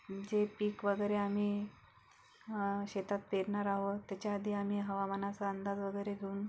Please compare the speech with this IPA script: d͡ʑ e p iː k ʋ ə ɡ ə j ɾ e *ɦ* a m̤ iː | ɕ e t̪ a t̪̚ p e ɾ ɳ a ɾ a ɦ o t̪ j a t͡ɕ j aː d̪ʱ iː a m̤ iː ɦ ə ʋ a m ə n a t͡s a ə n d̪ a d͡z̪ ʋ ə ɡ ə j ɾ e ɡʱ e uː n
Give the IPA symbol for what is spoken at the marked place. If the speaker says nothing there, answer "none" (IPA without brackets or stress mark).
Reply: none